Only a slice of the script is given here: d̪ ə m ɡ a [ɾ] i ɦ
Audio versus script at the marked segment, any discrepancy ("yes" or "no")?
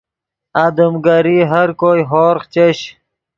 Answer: no